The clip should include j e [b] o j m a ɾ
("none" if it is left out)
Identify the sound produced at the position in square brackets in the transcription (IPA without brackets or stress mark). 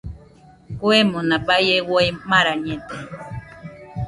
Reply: w